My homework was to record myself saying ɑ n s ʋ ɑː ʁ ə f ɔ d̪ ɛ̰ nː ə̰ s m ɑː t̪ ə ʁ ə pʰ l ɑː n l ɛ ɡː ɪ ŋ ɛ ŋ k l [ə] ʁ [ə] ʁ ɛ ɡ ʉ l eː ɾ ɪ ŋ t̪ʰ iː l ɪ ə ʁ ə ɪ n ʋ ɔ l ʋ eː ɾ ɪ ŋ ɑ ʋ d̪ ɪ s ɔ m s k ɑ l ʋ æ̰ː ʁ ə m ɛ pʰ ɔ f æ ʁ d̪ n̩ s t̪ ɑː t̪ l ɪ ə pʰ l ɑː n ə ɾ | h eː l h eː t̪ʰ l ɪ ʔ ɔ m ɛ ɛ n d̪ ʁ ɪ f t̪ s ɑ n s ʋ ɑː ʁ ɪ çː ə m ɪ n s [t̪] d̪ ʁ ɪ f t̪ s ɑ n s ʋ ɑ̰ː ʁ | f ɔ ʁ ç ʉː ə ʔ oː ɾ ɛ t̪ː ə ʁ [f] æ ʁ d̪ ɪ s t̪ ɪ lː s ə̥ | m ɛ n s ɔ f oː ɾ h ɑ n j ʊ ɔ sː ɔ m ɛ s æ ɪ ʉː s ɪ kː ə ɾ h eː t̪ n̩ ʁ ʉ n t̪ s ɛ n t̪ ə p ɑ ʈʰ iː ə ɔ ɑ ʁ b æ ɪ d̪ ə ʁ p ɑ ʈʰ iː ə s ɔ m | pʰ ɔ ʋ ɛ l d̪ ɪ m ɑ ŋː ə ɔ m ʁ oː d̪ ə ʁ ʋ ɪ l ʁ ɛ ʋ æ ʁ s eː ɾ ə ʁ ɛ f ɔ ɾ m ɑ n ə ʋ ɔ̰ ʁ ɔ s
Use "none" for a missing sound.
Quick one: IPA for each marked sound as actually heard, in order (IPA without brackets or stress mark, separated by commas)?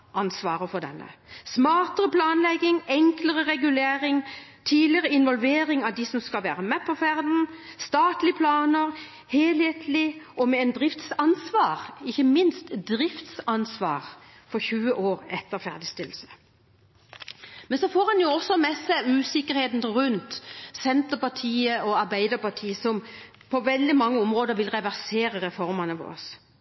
ə, ə, t̪, f